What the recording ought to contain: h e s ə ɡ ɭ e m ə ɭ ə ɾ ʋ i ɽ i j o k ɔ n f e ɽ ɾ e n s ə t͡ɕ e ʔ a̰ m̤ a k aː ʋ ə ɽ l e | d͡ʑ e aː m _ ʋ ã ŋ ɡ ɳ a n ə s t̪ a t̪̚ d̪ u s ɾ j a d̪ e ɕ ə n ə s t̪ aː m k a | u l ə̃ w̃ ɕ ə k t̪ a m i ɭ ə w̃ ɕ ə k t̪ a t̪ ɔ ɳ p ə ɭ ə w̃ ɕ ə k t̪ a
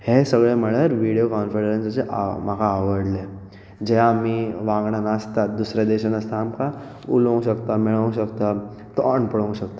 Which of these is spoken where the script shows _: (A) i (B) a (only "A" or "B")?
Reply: A